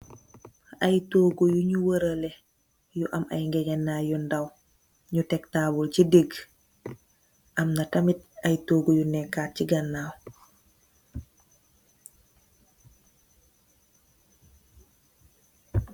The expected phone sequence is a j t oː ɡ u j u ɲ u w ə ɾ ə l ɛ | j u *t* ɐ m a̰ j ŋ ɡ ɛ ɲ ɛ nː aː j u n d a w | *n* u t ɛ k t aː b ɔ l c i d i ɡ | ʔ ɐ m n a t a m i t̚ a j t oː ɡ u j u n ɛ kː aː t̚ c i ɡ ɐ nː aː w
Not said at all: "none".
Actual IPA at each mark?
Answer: ʔ, ɲ

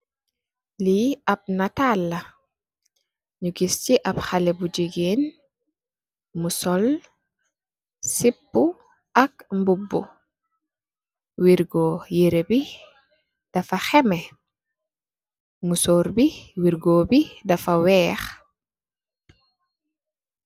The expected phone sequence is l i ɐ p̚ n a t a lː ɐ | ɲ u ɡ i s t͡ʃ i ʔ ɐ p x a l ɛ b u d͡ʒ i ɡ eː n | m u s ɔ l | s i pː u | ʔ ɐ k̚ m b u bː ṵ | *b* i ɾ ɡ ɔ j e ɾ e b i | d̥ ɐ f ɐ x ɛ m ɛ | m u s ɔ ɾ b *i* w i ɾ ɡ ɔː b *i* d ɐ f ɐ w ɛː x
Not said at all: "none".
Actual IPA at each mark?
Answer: w, i, i

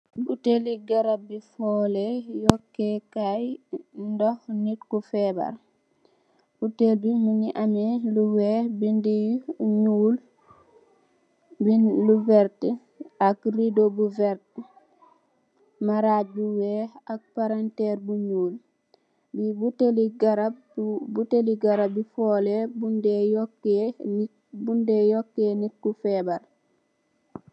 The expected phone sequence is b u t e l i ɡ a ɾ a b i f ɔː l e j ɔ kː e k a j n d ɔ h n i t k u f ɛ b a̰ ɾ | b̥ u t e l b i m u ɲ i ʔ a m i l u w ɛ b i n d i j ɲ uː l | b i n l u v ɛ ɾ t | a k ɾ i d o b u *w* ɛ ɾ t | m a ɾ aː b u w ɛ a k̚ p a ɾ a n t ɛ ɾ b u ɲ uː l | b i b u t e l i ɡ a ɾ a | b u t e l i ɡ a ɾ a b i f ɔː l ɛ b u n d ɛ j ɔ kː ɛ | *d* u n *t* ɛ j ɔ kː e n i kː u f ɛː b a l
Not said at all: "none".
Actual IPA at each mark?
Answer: v, b, d

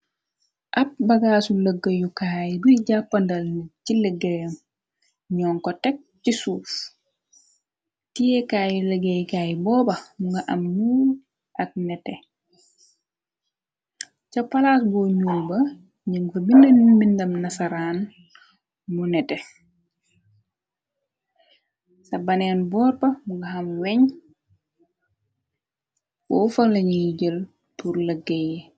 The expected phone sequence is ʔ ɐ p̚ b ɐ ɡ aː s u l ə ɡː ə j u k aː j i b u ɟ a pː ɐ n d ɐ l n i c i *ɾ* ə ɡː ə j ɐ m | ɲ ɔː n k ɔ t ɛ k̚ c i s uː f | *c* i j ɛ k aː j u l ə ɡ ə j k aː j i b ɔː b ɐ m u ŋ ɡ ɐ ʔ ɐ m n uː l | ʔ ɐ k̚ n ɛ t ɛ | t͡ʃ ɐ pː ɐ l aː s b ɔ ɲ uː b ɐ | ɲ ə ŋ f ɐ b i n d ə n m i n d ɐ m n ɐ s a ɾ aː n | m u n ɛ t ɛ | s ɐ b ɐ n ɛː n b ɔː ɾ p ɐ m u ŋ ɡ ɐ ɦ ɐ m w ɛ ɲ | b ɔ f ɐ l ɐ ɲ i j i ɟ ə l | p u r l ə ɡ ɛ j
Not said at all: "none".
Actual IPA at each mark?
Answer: l, t

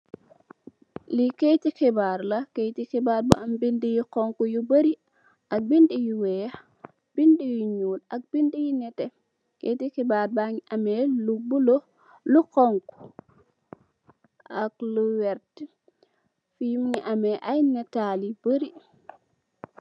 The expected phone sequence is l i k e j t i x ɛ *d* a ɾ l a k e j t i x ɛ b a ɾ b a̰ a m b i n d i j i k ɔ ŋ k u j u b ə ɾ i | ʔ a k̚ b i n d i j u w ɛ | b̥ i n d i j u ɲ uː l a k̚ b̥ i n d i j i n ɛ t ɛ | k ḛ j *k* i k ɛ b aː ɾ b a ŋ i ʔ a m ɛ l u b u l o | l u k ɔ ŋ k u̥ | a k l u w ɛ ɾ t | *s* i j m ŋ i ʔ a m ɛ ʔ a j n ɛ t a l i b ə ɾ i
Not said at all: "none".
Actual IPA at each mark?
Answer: b, t, f

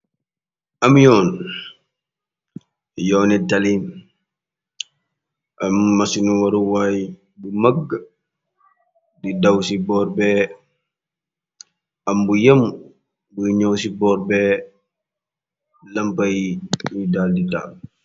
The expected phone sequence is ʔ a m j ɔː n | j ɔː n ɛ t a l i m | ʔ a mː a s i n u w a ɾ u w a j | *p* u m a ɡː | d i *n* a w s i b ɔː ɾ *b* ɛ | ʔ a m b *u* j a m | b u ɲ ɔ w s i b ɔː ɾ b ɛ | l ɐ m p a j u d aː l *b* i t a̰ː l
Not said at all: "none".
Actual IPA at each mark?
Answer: b, d, b, u, d

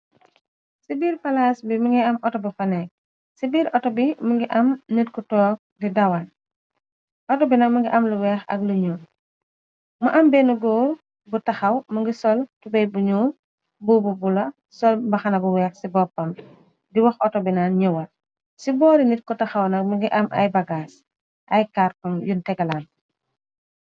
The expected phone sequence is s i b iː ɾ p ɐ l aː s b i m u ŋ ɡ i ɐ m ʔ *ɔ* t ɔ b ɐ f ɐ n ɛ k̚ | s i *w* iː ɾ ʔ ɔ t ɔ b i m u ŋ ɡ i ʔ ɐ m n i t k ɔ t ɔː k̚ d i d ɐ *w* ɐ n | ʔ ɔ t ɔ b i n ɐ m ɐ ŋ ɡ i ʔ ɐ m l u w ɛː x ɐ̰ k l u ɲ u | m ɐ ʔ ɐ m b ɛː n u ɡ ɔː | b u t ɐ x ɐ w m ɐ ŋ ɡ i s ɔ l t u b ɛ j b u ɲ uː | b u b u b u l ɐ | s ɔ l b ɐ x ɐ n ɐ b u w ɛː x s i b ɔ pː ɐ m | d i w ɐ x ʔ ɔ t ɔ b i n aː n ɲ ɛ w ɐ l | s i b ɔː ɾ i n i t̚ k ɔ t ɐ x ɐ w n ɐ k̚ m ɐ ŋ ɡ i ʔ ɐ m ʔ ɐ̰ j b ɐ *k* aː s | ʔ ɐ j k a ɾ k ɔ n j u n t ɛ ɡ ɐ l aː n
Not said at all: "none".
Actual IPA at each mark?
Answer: ɔ, b, w, ɡ

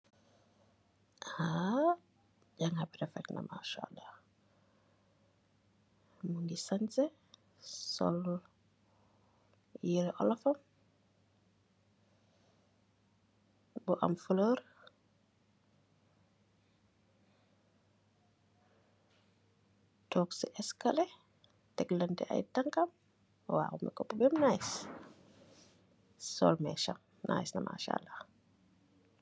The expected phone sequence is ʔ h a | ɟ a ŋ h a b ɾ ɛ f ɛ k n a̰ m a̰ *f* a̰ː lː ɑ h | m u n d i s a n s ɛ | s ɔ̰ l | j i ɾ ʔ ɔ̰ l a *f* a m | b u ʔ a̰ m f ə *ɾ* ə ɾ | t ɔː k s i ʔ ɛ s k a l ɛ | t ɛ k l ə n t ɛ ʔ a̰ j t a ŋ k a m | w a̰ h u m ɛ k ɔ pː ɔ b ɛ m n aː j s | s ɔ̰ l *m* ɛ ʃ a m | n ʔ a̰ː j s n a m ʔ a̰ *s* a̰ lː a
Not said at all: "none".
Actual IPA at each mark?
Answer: ʃ, f, l, m, ʃ

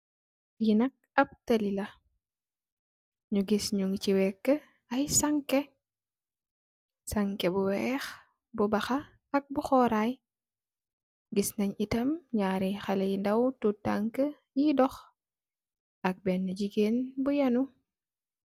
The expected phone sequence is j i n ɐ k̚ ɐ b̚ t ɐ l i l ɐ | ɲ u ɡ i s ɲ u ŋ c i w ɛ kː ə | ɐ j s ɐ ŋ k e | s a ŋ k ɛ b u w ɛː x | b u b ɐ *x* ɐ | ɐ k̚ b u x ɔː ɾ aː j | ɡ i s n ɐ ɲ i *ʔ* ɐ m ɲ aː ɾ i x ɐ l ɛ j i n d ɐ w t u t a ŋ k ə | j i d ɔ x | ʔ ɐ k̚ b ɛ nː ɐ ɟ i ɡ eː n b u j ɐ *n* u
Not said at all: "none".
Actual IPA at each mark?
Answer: x, t, n

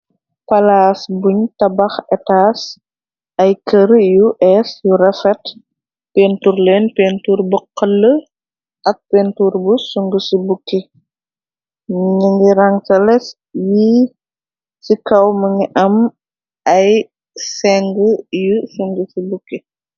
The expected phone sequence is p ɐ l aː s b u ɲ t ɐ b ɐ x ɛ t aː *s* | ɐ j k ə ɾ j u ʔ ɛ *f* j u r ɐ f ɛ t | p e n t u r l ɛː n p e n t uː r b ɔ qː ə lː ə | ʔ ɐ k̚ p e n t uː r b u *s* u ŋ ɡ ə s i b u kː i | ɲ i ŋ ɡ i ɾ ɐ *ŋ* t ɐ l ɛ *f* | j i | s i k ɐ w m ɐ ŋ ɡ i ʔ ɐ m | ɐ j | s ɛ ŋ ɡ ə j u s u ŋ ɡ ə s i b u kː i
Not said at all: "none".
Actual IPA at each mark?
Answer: s, s, s, ŋ, s

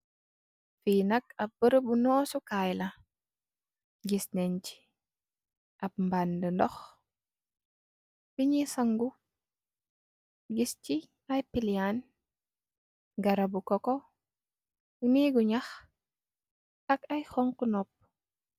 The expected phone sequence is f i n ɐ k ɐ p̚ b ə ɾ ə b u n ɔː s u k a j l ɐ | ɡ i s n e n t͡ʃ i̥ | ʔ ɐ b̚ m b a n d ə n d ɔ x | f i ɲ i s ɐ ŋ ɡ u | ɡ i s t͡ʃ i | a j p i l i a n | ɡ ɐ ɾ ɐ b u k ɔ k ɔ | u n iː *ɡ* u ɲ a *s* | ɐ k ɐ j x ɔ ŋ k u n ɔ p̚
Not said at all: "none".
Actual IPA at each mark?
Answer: ɡ, x

